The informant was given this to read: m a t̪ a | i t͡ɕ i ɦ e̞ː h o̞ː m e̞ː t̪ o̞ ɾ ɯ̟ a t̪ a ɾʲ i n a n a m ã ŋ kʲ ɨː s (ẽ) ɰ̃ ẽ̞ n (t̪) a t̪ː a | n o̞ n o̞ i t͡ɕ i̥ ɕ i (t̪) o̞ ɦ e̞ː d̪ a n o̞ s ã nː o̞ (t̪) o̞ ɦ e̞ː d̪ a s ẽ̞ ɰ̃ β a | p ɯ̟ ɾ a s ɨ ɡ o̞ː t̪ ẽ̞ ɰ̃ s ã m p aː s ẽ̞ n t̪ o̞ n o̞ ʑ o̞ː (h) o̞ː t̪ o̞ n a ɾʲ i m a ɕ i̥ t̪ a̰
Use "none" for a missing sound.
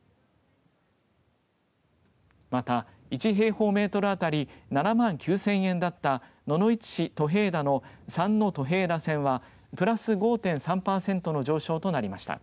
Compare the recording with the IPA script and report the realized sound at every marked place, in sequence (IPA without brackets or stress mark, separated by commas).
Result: ẽ, d̪, t̪, t̪, ɕ